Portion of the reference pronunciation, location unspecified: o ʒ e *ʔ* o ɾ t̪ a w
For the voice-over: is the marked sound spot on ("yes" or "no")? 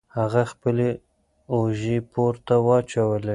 no